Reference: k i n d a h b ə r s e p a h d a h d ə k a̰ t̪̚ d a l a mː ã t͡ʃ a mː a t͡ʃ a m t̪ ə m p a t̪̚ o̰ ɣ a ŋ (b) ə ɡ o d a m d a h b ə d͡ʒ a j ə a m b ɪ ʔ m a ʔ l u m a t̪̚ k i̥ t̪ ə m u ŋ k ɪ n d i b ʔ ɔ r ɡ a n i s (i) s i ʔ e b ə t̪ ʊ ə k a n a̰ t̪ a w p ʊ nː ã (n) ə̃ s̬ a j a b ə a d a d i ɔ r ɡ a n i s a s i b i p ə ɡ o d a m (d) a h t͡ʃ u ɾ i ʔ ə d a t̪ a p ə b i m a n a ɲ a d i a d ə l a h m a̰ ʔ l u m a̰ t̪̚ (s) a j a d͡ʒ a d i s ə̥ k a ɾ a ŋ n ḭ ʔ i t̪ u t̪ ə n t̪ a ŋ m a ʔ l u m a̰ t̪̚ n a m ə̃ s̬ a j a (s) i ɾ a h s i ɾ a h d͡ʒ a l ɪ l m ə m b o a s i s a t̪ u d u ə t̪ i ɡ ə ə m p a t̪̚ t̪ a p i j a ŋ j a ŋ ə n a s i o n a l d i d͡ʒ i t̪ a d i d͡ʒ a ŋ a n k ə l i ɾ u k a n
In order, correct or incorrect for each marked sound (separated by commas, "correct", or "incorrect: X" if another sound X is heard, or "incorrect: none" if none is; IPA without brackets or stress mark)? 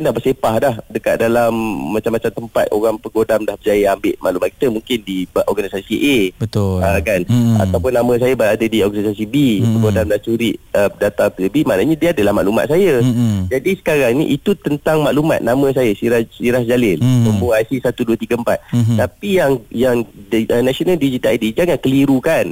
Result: incorrect: p, incorrect: a, incorrect: m, correct, correct, correct